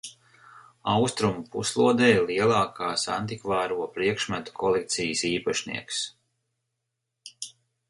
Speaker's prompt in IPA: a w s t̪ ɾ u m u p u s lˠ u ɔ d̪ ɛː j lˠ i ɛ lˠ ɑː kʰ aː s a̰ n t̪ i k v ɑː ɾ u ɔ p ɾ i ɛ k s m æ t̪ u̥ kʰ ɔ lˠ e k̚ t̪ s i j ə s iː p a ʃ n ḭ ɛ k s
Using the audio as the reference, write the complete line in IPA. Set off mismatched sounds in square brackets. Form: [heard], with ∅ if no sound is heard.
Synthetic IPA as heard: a w s t̪ ɾ u m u p u s lˠ u ɔ d̪ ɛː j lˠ i ɛ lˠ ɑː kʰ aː s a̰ n t̪ i k v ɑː ɾ u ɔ p ɾ i ɛ k [ʃ] m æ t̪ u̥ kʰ ɔ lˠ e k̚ t̪ s i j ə s iː p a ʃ n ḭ ɛ k s